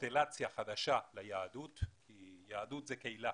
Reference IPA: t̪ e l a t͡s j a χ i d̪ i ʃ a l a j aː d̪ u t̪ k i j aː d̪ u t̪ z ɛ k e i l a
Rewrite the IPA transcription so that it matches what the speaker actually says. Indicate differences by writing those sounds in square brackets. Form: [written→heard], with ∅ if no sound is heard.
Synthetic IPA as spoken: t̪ e l a t͡s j a χ [i→a] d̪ [i→a] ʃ a l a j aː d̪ u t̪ k i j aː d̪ u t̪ z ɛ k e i l a

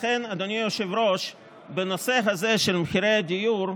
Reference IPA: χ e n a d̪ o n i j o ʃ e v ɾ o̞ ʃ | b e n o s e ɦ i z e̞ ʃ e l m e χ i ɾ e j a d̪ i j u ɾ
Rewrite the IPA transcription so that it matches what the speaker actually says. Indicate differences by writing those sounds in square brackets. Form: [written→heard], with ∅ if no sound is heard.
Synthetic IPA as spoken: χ e n a d̪ o n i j o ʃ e v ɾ o̞ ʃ | b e n o s e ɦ [i→a] z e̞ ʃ e l m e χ i ɾ e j a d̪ i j u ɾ

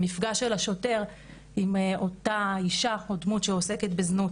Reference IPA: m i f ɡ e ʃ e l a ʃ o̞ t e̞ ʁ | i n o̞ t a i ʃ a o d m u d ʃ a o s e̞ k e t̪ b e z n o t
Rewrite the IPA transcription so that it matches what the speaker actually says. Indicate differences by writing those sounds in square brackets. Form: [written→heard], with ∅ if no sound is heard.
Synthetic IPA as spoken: m i f ɡ [e→a] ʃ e l a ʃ o̞ t e̞ ʁ | i [n→m] o̞ t a i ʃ a o d m u [d→t] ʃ [a→e] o s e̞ k e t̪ b e z n [o→u] t

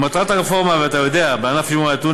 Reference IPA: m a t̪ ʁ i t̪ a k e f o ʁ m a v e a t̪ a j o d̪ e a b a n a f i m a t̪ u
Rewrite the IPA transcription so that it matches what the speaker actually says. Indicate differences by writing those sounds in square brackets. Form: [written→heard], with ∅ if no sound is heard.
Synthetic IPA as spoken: m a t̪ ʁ [i→a] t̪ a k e f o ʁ m a v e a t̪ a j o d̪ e a b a n a f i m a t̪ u

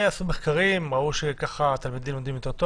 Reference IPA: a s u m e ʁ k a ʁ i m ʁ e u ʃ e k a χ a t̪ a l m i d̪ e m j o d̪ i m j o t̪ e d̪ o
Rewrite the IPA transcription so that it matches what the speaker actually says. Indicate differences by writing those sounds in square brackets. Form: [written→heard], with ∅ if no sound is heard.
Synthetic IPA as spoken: a s u m e [ʁ→χ] k a ʁ i m ʁ [e→a] u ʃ e k a χ a t̪ a l m i d̪ [e→i] m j o d̪ i m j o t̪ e [d̪→t̪] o

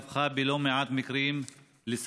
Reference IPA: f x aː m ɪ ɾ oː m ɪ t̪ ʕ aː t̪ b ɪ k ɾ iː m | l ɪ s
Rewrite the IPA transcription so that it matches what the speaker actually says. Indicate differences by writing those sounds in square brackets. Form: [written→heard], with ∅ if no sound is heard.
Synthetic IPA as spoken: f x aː [m→b] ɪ [ɾ→l] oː m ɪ [t̪→∅] ʕ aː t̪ [b→m] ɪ k ɾ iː m | l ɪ s

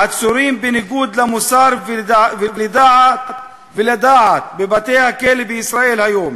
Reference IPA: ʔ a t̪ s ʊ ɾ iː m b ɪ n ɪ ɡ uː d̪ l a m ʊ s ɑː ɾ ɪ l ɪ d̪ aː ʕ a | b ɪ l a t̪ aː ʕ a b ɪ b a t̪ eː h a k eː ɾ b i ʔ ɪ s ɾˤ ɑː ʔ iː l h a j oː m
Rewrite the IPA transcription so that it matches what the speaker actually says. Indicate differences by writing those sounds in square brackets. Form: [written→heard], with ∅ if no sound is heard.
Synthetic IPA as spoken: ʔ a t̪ s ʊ ɾ iː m b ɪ n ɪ ɡ uː d̪ l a m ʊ s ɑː ɾ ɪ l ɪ d̪ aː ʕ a | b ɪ l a [t̪→d̪] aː ʕ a b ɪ b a t̪ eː h a k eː [ɾ→l] b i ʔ ɪ s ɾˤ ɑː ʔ iː l h a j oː m

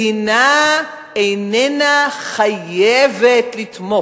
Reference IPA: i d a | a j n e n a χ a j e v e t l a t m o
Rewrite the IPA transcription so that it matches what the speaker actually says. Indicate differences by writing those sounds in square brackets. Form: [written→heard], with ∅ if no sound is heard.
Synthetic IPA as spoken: i [d→n] a | [a→e] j n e n a χ a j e v e t l [a→i] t m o

